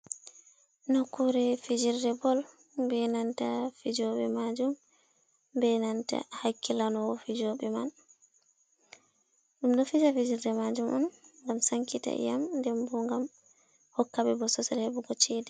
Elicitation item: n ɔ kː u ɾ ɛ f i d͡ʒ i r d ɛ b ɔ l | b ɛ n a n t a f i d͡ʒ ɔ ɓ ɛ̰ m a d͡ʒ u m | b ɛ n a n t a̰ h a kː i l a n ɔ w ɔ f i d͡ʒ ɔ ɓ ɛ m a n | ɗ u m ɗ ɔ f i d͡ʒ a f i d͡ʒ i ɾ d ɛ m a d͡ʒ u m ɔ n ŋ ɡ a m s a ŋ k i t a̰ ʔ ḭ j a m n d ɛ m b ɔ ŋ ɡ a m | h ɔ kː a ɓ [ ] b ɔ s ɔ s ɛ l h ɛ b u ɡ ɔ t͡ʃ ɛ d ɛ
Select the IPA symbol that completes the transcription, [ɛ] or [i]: ɛ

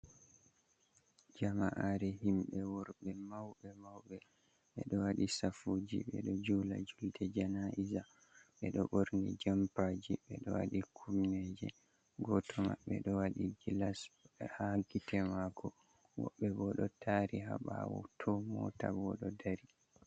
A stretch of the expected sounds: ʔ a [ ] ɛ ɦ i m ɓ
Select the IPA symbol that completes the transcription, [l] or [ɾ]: ɾ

